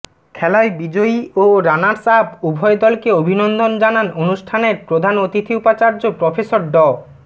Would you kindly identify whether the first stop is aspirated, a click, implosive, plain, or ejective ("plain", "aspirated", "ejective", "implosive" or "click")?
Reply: aspirated